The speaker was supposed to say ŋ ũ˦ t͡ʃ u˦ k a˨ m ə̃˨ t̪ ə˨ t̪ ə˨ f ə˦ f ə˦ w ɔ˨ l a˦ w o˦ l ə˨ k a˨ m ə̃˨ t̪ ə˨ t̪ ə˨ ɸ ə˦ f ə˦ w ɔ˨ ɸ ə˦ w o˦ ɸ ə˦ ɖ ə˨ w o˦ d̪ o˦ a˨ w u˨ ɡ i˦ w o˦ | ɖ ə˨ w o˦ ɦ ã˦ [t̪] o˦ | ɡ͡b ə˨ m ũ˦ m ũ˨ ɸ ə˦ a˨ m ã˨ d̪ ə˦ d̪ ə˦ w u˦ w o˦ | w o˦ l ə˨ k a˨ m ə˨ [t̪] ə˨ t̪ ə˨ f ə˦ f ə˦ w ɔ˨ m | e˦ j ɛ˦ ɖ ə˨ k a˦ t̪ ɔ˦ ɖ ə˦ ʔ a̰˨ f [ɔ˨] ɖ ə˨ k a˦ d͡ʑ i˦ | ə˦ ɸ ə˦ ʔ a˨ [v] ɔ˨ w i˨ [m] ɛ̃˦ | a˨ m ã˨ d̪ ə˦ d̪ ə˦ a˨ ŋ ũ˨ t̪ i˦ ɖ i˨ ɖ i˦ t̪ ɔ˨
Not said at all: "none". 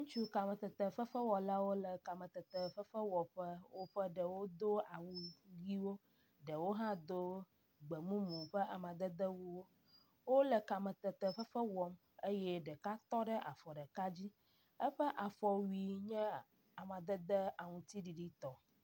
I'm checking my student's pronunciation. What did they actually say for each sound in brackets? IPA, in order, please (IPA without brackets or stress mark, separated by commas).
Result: d̪, t̪, ɔ˨, f, ɲ